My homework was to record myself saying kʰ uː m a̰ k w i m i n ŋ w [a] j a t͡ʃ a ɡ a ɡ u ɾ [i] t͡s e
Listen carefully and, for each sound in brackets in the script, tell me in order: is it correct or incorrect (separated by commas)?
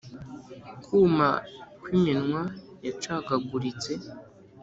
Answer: correct, correct